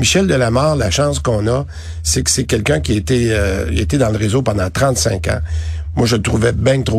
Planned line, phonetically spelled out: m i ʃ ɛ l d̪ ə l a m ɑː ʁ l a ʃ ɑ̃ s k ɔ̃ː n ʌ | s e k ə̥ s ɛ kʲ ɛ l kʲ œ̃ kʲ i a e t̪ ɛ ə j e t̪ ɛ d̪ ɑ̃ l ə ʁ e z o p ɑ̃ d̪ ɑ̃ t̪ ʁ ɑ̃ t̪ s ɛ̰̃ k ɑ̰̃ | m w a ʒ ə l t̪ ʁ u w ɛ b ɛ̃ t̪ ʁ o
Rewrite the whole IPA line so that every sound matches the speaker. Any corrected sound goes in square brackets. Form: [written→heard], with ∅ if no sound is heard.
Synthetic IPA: m i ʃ ɛ l d̪ ə l a m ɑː ʁ l a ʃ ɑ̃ s k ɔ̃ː n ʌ | s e k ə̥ s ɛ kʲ ɛ l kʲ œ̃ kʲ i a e t̪ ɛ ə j e t̪ ɛ d̪ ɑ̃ l ə ʁ e z o p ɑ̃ d̪ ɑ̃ t̪ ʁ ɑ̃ t̪ s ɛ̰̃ k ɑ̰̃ | m w a ʒ ə l t̪ ʁ u [w→v] ɛ b ɛ̃ t̪ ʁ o